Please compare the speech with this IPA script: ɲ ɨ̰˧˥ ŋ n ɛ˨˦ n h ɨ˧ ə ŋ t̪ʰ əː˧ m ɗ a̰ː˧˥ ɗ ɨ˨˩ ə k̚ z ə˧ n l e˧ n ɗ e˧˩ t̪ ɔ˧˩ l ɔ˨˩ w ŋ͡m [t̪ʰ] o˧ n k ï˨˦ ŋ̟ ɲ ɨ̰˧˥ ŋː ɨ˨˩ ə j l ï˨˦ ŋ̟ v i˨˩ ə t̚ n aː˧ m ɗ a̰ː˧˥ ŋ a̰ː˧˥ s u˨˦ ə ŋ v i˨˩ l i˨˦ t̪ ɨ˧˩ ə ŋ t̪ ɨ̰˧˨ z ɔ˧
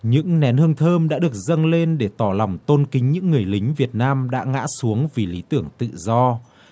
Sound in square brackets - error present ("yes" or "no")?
yes